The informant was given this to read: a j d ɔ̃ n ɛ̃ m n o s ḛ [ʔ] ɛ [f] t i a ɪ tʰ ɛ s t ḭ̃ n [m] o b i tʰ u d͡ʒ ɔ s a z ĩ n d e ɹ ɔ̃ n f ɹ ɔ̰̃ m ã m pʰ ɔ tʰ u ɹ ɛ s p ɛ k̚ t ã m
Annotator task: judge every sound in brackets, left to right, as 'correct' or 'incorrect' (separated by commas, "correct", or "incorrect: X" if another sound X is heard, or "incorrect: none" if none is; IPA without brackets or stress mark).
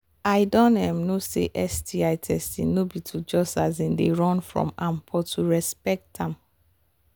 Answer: correct, incorrect: s, incorrect: n